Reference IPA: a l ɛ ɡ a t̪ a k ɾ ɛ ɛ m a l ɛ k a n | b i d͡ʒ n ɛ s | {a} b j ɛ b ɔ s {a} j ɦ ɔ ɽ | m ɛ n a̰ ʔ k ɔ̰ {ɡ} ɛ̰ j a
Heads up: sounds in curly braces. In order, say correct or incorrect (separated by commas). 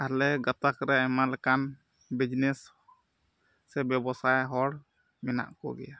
incorrect, correct, correct